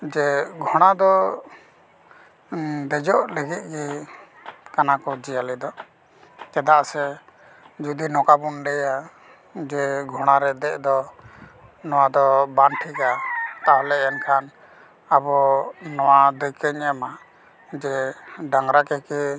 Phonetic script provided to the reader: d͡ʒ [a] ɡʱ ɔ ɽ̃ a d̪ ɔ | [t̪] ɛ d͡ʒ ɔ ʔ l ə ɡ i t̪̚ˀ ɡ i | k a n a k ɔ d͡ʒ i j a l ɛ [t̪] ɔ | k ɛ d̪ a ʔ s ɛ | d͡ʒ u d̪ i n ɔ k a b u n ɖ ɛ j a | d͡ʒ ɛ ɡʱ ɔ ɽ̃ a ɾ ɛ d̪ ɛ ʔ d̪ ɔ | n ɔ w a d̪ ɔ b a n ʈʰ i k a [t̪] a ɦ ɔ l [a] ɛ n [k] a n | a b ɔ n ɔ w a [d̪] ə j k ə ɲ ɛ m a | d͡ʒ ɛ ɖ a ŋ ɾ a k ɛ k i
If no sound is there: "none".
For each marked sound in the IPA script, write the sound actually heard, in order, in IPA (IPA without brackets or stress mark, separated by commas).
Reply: ɛ, d̪, d̪, t̪, ɛ, kʰ, d̪